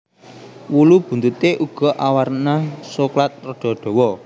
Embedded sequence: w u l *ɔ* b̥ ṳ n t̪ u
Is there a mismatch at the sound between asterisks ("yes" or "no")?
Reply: yes